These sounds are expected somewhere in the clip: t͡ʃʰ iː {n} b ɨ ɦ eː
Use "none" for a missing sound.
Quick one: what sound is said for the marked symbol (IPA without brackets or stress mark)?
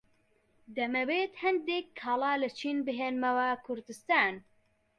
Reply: n